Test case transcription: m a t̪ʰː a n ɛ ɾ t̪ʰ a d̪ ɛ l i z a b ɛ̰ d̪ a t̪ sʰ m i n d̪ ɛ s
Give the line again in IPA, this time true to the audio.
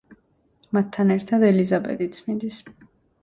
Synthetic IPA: m a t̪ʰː a n ɛ ɾ t̪ʰ a d̪ ɛ l i z a b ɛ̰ d̪ i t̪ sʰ m i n d̪ i s